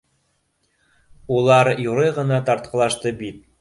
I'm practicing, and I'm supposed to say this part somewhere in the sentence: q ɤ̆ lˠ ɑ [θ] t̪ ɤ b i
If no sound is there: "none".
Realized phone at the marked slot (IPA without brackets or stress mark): ʃ